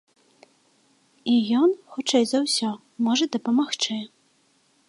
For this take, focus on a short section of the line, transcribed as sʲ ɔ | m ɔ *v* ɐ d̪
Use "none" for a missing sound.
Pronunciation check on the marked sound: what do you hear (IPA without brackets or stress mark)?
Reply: ʐ